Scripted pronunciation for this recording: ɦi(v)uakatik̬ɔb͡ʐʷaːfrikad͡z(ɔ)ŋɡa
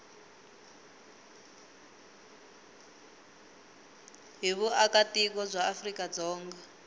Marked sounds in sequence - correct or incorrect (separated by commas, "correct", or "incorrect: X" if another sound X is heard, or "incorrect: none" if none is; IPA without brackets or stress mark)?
incorrect: β, incorrect: ɔː